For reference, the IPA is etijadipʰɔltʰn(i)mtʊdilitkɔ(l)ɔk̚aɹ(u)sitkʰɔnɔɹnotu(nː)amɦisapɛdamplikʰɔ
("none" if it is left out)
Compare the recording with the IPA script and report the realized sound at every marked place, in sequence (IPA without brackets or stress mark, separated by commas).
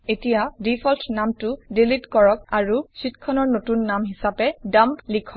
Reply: a, ɹ, u, nː